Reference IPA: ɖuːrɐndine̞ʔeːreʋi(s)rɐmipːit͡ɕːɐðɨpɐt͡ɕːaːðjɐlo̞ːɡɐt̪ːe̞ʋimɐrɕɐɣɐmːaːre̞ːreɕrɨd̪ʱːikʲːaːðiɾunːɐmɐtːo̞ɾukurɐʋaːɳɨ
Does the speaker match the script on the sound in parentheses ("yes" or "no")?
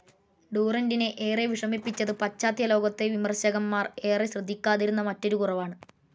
no